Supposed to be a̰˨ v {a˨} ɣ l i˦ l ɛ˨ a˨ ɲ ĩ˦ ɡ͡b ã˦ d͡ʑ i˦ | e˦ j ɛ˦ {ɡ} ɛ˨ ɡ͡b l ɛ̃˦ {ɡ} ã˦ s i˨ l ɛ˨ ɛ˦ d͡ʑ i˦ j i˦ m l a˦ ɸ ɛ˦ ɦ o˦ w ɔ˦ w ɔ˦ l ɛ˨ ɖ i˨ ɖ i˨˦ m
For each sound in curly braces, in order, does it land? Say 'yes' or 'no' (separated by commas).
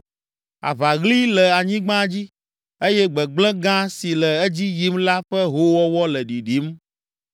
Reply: yes, no, yes